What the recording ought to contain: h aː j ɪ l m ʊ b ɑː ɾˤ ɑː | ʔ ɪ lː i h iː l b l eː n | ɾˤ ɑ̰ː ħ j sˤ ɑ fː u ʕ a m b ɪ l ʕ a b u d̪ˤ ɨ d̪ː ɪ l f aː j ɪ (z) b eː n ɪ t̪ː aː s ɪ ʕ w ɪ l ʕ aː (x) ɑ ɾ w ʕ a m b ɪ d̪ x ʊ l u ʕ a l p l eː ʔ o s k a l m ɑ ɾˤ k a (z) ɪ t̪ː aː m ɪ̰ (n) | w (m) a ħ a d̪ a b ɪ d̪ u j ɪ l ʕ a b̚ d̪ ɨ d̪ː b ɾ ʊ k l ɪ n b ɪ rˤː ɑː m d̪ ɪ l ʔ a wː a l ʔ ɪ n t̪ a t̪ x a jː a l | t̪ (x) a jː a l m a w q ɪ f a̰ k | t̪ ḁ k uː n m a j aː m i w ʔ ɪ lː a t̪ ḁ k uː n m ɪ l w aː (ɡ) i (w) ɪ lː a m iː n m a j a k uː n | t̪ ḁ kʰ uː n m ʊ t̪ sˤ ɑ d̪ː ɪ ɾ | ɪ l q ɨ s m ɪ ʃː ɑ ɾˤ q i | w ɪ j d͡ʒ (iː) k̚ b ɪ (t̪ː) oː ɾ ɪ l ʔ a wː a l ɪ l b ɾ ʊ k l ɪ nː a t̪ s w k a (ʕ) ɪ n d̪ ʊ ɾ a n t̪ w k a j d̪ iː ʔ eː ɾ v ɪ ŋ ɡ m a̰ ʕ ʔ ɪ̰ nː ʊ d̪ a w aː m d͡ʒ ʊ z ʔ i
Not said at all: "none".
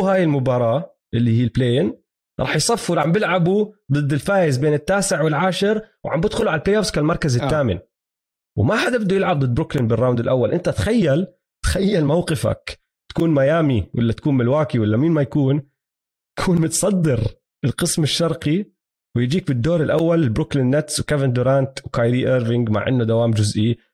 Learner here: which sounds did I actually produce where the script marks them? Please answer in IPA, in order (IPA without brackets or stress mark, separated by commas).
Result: z, ʃ, z, n, m, x, k, w, iː, d̪ː, v